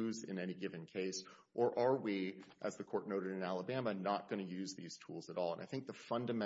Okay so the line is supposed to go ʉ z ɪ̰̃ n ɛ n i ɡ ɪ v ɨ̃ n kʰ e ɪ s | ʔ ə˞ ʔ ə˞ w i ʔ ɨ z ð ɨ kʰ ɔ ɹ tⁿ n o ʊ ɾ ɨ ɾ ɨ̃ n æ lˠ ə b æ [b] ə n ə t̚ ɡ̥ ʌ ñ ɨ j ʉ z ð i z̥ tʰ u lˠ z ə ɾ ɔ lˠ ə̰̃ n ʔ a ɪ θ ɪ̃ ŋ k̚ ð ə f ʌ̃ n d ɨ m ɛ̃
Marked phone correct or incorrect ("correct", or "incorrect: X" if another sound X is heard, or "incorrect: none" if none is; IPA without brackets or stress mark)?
incorrect: m